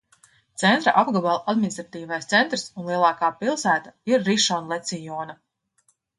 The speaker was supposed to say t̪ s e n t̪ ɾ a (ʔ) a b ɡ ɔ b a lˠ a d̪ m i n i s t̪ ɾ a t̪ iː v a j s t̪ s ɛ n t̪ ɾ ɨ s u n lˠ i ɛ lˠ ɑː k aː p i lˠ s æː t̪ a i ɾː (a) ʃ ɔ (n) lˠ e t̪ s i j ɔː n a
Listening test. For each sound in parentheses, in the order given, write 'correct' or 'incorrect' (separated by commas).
correct, incorrect, correct